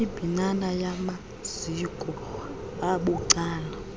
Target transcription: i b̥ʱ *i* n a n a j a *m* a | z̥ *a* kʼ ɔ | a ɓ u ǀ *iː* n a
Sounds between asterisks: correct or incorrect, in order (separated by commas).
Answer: correct, correct, incorrect, incorrect